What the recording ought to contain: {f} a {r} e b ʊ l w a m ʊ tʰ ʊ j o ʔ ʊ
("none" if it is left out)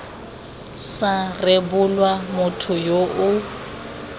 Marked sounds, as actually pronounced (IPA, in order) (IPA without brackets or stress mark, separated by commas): s, r